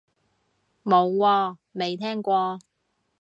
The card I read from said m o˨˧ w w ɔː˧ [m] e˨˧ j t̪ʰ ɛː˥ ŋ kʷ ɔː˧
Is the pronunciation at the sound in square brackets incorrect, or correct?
correct